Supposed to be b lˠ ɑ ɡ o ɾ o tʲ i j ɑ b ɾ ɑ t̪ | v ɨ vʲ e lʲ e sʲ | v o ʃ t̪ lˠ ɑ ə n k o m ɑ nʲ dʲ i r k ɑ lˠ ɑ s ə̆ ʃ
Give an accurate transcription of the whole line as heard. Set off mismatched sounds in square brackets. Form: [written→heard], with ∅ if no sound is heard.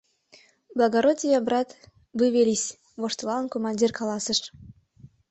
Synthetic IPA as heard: b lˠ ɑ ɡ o ɾ o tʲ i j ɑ b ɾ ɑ t̪ | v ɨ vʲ e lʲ [e→i] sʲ | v o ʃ t̪ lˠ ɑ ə n k o m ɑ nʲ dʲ i r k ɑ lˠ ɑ s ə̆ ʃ